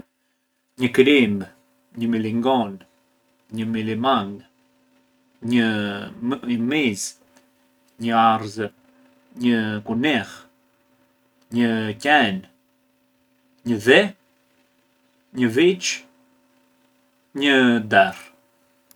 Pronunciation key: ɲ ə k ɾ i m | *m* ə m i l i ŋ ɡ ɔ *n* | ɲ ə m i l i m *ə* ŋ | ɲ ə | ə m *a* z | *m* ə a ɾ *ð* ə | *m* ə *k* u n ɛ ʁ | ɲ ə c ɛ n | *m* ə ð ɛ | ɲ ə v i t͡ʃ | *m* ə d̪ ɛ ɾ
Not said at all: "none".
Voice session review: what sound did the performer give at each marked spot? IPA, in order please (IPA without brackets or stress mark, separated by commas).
ɲ, n, a, i, ɲ, z, ɲ, k, ɲ, ɲ